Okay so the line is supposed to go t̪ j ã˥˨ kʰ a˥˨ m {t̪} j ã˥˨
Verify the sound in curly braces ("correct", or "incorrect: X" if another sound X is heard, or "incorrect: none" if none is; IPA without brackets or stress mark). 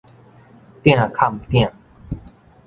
correct